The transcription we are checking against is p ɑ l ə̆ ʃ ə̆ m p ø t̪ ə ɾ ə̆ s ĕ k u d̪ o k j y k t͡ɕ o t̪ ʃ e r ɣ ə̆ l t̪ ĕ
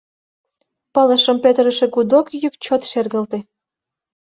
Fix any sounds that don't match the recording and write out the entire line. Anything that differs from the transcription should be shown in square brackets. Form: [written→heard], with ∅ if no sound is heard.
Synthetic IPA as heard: p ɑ l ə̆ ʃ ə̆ m p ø t̪ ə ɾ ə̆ [s→ʃ] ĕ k u d̪ o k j y k t͡ɕ o t̪ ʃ e r ɣ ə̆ l t̪ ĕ